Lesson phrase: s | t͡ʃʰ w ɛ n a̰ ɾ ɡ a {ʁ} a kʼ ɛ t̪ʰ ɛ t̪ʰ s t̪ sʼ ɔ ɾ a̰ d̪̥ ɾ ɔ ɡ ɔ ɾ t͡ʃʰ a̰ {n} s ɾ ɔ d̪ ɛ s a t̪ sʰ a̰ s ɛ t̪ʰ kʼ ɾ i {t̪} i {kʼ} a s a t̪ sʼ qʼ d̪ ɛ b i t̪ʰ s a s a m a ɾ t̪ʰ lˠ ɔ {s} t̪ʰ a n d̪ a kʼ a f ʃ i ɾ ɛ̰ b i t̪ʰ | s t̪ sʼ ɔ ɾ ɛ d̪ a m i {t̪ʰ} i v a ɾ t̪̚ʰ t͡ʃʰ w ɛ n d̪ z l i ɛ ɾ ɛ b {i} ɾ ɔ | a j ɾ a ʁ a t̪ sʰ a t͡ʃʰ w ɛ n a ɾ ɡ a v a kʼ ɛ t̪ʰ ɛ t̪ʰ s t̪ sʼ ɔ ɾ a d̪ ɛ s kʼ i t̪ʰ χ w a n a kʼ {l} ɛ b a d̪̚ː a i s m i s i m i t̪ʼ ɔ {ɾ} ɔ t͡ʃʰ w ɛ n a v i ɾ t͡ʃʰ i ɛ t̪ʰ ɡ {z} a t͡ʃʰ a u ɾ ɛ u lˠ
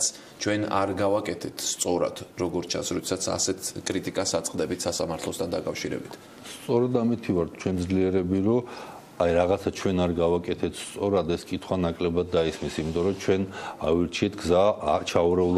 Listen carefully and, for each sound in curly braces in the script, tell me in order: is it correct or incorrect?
incorrect: v, correct, incorrect: t̪ʼ, correct, correct, correct, correct, correct, correct, correct

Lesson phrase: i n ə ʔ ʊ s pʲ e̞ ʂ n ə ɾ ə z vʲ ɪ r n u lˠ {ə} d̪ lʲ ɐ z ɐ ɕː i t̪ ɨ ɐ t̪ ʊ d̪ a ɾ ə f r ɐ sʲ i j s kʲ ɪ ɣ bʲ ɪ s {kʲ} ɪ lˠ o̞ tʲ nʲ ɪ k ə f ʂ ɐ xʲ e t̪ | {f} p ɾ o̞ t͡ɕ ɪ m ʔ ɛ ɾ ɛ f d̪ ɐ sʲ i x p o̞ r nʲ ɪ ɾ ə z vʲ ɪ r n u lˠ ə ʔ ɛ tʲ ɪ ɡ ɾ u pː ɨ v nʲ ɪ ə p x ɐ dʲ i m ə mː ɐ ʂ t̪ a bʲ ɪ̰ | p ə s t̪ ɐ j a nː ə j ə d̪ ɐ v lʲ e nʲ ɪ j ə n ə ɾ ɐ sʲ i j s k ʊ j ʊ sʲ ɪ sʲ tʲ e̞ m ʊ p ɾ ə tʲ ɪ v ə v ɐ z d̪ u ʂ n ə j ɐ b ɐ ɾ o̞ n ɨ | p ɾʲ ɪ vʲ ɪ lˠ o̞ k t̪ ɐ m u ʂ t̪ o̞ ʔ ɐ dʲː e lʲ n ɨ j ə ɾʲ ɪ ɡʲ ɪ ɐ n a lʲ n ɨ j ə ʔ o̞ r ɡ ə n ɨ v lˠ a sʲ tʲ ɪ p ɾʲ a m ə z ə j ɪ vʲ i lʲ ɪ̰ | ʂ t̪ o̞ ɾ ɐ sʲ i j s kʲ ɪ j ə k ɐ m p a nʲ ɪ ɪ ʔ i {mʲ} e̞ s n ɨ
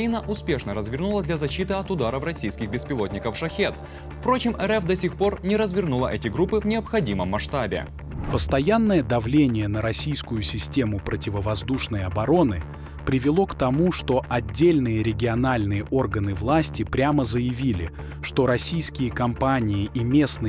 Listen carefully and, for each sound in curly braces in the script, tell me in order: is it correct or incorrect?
correct, incorrect: pʲ, correct, correct

